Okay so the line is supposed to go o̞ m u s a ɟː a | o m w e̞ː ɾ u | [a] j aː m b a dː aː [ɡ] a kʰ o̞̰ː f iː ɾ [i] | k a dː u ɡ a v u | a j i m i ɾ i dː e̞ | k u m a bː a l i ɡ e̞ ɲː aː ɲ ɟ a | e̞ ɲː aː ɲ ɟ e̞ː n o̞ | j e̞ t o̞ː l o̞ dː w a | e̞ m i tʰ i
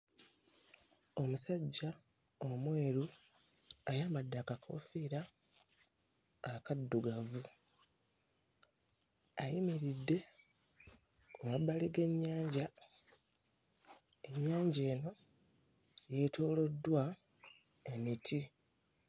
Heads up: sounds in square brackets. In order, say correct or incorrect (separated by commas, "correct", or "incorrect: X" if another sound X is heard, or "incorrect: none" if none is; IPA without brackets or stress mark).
correct, incorrect: k, incorrect: a